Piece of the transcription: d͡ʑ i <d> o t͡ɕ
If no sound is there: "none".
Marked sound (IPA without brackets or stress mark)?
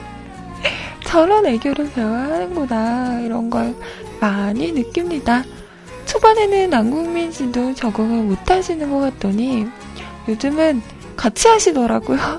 d